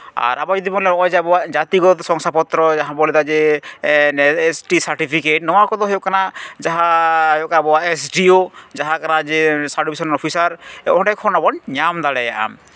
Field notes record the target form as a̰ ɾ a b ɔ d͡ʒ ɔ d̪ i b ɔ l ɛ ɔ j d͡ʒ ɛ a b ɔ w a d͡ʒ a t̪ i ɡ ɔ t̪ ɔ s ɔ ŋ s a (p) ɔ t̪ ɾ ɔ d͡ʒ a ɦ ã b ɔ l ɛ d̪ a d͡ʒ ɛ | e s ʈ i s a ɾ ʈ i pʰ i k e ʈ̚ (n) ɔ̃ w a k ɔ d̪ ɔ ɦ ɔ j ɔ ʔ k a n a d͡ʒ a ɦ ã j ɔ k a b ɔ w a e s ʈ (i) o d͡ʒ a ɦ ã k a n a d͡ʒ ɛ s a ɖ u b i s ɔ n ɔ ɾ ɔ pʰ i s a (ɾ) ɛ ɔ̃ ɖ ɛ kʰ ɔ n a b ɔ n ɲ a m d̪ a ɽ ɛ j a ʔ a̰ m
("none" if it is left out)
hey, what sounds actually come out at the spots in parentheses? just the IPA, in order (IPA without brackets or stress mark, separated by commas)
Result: p, n, i, ɾ